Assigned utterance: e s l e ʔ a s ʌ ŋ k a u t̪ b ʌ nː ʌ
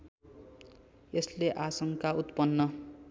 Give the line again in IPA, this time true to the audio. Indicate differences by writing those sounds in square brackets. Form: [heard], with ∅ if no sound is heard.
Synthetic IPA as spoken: e s l e ʔ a s ʌ ŋ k a u t̪ [p] ʌ nː ʌ